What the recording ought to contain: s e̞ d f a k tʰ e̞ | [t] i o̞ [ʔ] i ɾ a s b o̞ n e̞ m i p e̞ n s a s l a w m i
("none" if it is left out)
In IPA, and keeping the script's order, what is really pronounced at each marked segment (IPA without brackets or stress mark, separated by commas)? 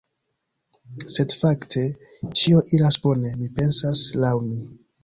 t͡ʃ, ʔ